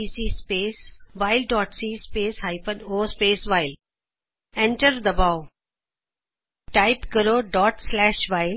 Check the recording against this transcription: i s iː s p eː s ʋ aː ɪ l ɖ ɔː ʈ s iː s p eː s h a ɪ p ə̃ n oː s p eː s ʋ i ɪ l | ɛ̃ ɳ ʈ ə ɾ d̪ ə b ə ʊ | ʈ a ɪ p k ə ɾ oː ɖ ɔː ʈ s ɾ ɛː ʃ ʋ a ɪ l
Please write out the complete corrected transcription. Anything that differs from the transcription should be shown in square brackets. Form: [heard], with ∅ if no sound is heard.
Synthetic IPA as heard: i s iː s p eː s ʋ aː ɪ l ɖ ɔː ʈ s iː s p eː s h a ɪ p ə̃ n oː s p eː s ʋ [a] ɪ l | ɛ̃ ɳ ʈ ə ɾ d̪ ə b [a] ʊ | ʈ a ɪ p k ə ɾ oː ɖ ɔː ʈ s [l] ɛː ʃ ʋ a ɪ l